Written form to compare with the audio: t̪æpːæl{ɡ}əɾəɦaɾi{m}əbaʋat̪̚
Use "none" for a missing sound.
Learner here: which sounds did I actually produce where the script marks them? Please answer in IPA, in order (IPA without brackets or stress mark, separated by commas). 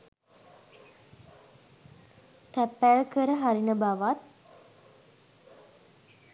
k, n